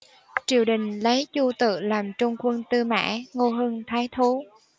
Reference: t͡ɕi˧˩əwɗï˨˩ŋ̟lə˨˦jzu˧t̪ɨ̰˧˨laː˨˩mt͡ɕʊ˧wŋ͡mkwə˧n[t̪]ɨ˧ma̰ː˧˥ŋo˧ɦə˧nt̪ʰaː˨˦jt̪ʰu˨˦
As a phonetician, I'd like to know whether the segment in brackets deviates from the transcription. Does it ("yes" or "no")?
no